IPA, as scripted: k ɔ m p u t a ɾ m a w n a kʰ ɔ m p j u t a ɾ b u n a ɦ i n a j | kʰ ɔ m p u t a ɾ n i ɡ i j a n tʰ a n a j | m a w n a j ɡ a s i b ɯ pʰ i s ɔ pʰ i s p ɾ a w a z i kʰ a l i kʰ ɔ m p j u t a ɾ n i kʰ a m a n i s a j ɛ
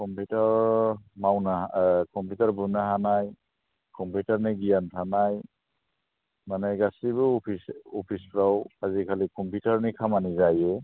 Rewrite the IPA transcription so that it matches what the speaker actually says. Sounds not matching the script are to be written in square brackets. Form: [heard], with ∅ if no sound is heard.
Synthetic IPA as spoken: k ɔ m p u t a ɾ m a w n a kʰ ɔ m p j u t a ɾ b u n a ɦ [a] n a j | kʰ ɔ m p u t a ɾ n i ɡ i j a n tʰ a n a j | m a [∅] n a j ɡ a s i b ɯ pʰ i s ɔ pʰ i s p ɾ a w a z i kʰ a l i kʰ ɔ m p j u t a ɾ n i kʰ a m a n i [z] a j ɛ